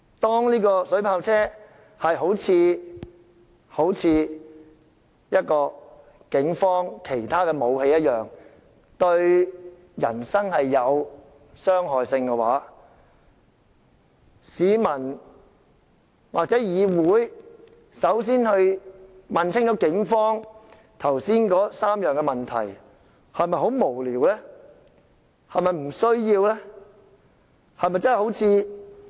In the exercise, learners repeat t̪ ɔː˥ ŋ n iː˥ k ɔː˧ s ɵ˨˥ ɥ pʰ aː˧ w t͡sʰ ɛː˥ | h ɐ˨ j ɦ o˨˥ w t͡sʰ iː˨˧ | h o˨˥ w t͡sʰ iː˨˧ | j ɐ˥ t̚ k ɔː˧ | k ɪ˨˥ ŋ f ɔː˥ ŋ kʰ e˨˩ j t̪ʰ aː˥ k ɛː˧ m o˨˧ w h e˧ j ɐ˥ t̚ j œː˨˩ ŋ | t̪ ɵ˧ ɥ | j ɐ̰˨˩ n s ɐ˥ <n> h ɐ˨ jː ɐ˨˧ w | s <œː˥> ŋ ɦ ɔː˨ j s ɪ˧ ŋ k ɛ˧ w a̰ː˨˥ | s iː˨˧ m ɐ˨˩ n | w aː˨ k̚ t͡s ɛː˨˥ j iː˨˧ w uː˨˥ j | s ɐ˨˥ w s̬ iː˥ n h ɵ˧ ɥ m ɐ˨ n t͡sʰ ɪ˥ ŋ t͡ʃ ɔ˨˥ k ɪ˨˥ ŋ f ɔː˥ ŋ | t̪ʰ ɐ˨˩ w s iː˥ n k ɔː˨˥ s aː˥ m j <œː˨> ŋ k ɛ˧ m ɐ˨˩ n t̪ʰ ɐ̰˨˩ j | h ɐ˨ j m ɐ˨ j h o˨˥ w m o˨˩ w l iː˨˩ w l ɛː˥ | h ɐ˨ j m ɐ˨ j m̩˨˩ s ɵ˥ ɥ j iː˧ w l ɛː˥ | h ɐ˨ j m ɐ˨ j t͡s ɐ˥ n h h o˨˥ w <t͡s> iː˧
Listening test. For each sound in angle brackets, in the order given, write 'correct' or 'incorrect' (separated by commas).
incorrect, correct, correct, incorrect